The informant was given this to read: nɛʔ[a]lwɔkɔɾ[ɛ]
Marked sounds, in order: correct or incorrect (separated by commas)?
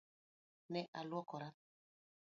correct, incorrect